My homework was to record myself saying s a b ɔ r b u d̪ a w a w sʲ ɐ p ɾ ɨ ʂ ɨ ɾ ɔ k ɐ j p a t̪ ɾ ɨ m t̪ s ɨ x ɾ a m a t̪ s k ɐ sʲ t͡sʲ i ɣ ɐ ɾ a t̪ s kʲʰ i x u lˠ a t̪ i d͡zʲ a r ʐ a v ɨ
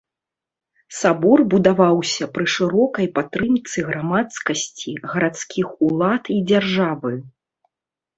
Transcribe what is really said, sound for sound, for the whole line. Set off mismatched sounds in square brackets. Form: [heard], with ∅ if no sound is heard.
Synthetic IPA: s a b ɔ r b u d̪ a [v] a w sʲ ɐ p ɾ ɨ ʂ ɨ ɾ ɔ k ɐ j p a t̪ ɾ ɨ m t̪ s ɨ [ɣ] ɾ a m a t̪ s k ɐ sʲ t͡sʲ i ɣ ɐ ɾ a t̪ s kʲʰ i x u lˠ a t̪ i d͡zʲ a r ʐ a v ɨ